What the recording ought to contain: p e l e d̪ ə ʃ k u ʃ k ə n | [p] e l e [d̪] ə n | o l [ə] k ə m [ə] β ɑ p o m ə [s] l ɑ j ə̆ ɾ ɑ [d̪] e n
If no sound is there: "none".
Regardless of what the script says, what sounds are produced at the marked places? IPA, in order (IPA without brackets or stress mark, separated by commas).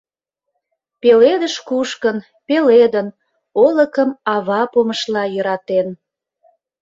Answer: p, d̪, ə, ɑ, ʃ, t̪